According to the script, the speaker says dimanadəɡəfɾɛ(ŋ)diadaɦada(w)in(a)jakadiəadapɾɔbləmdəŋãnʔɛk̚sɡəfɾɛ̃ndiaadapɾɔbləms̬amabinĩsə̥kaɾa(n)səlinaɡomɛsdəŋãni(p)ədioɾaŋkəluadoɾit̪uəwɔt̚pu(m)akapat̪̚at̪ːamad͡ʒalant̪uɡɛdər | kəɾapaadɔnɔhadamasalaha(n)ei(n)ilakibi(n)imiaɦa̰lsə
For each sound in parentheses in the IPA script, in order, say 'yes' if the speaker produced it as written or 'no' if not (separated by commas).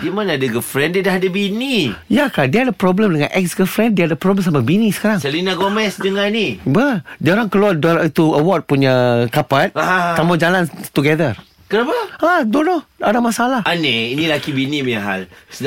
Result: no, no, no, no, no, no, yes, yes, yes